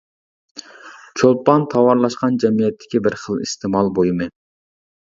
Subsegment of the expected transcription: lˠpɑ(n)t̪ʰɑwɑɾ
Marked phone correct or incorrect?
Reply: correct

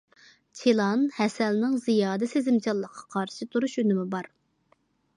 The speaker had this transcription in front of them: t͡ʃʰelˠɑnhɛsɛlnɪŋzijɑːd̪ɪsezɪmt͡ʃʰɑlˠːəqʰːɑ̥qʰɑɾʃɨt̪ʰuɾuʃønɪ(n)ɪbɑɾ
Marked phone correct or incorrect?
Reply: incorrect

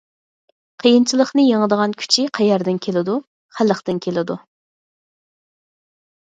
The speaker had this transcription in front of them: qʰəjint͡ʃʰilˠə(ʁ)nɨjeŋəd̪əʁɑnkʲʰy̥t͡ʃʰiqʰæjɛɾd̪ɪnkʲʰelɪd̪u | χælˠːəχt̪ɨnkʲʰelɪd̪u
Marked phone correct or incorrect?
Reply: incorrect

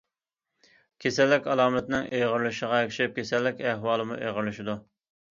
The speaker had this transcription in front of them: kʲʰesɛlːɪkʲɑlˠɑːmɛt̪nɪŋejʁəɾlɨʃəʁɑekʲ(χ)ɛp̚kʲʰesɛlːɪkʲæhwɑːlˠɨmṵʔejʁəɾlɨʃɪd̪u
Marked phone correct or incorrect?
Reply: incorrect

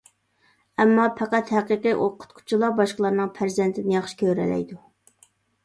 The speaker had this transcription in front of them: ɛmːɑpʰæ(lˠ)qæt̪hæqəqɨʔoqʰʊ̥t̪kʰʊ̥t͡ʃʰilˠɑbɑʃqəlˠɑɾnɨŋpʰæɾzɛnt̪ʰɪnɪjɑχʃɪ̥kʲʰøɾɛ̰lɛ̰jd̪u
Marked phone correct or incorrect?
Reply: incorrect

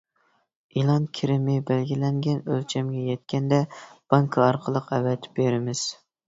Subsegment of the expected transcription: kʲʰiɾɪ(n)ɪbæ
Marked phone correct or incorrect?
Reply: incorrect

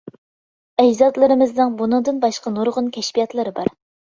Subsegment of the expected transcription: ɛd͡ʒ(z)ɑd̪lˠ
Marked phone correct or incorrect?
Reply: correct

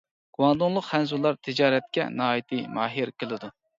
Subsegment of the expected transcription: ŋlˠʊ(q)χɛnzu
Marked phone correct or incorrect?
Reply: correct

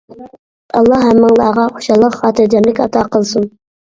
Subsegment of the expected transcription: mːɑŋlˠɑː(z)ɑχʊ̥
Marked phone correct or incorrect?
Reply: incorrect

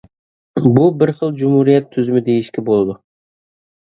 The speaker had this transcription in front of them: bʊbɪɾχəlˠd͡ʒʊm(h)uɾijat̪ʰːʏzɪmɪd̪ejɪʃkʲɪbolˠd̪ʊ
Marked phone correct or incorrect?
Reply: correct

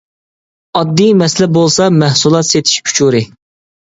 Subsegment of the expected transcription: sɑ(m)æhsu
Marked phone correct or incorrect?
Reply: correct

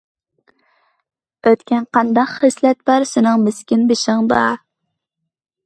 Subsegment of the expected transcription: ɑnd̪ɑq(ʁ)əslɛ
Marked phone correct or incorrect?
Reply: incorrect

